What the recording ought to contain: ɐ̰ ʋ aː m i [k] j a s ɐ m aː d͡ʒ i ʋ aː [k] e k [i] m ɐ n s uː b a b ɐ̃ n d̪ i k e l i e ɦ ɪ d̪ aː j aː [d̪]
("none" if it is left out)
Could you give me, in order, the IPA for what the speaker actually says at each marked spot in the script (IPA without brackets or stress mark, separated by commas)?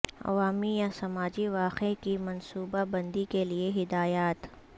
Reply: none, q, i, t̪